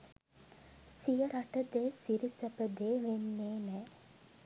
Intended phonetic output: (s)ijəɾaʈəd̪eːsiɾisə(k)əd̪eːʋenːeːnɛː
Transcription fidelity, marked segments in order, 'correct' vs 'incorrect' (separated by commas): correct, incorrect